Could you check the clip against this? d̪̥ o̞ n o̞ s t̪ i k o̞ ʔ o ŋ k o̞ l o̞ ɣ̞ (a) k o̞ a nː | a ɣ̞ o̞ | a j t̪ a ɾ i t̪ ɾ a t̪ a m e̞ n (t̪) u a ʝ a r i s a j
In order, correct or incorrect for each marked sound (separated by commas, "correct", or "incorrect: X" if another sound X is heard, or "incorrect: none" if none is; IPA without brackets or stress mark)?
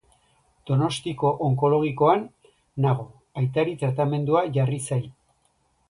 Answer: incorrect: i, incorrect: d̪